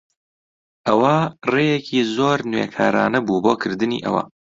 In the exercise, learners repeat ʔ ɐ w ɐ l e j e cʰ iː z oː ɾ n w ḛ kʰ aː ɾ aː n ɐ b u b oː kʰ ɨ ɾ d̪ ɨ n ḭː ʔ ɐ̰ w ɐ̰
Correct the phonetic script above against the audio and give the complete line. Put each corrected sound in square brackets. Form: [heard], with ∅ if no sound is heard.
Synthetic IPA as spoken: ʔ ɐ w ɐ [r] e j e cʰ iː z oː ɾ n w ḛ kʰ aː ɾ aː n ɐ b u b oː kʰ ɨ ɾ d̪ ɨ n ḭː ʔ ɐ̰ w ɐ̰